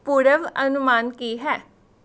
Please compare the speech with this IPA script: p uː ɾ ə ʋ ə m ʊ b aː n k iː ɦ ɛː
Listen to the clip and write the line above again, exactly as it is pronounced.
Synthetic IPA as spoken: p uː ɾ ə ʋ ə n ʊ m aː n k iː ɦ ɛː